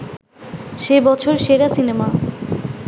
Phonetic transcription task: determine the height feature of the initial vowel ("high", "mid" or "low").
mid